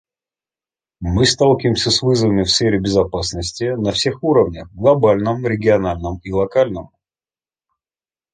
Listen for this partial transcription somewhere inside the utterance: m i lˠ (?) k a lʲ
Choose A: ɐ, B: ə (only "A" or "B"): A